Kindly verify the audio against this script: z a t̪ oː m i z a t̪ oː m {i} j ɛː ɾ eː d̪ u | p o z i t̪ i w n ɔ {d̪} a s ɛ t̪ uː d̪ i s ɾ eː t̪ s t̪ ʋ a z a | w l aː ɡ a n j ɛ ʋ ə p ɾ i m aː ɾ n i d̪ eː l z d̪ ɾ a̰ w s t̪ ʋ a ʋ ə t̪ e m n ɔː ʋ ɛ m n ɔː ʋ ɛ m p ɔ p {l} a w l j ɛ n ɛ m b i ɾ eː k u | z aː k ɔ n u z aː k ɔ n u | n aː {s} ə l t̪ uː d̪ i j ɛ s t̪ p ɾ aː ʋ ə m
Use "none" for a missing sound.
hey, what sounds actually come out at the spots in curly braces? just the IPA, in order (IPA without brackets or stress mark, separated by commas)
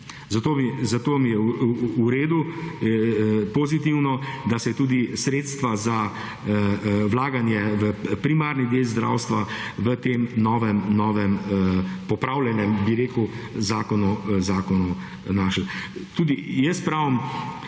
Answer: i, d̪, ɾ, ʃ